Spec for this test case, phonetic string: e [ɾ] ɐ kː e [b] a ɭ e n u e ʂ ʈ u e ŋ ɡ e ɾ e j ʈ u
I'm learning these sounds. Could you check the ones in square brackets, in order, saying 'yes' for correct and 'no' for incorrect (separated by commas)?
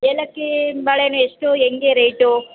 no, yes